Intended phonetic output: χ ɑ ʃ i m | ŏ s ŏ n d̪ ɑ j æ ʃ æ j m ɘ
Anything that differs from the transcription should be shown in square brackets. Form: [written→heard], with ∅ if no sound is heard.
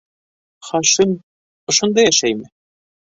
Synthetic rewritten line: χ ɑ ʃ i m | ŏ [s→ʃ] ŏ n d̪ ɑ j æ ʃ æ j m ɘ